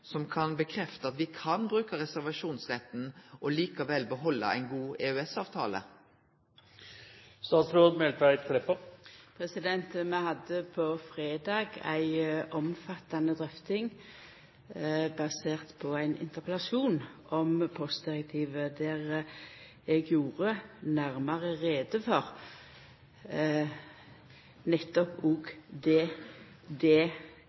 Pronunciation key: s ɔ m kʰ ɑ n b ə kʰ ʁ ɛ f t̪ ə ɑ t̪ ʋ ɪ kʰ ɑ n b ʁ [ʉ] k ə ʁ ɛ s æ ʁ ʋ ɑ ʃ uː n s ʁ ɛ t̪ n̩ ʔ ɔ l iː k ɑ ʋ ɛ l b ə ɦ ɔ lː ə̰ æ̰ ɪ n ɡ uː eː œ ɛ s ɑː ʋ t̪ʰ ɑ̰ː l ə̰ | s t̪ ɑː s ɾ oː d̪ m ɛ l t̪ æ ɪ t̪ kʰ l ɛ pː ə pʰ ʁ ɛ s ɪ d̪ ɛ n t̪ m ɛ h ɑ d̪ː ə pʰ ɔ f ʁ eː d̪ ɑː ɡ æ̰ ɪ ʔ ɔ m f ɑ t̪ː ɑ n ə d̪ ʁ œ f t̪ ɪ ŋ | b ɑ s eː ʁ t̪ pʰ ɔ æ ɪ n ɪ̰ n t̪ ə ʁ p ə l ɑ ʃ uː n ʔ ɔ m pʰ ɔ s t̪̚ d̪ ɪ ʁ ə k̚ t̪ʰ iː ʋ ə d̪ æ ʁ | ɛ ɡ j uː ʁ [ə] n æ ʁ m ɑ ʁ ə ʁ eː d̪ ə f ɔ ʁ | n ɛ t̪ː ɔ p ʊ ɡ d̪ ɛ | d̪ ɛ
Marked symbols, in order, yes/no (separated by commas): no, yes